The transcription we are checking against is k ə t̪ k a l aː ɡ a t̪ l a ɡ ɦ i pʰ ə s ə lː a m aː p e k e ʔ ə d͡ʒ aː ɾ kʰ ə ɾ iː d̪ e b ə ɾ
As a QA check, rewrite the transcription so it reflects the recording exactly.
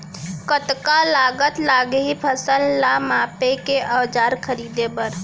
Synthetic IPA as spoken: k ə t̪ k a l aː ɡ ə t̪ l a ɡ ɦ i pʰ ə s ə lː a m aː p e k e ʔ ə d͡ʒ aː ɾ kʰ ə ɾ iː d̪ e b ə ɾ